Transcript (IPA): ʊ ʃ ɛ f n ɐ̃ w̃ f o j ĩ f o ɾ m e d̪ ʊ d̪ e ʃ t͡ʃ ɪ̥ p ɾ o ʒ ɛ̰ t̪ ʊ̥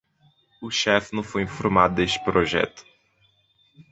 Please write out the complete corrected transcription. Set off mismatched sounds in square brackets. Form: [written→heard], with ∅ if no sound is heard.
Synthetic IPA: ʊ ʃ ɛ f n ɐ̃ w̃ f o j ĩ f o ɾ m [e→a] d̪ ʊ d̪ e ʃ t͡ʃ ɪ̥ p ɾ o ʒ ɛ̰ t̪ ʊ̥